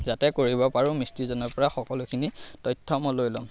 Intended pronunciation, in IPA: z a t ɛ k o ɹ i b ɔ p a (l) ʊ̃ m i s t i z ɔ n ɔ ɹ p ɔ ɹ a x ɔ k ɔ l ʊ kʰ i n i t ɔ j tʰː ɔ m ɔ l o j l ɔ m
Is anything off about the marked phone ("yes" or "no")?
yes